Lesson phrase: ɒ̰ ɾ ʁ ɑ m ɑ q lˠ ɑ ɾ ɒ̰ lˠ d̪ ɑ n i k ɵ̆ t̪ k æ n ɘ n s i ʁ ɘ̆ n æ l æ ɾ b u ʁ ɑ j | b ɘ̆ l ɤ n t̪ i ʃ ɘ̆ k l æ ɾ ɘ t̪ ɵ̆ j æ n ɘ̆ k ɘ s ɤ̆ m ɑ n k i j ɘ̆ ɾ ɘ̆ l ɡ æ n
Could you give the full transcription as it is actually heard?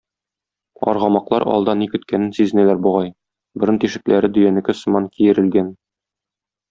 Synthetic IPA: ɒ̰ ɾ ʁ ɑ m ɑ q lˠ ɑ ɾ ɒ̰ lˠ d̪ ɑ n i k ɵ̆ t̪ k æ n ɘ n s i z ɘ̆ n æ l æ ɾ b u ʁ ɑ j | b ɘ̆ ɾ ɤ n t̪ i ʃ ɘ̆ k l æ ɾ ɘ d̪ ɵ̆ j æ n ɘ̆ k ɘ s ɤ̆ m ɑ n k i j ɘ̆ ɾ ɘ̆ l ɡ æ n